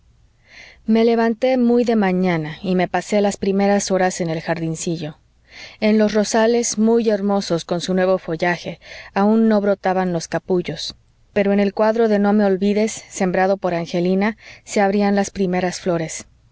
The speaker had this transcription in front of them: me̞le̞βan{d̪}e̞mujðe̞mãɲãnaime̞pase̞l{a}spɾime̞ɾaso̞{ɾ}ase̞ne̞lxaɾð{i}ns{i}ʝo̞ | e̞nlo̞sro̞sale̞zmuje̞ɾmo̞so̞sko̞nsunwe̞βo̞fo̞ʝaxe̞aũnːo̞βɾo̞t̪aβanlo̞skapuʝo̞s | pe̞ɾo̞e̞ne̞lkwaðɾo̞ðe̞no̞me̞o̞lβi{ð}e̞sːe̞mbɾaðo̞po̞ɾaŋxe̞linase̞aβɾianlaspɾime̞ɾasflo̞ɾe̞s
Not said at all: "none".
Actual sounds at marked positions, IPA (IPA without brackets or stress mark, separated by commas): t̪, a, ɾ, i, i, ð